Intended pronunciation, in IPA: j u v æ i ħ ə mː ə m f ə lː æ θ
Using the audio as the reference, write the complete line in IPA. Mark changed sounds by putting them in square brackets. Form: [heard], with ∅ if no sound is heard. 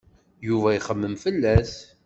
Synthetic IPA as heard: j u v æ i [χ] ə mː ə m f ə lː æ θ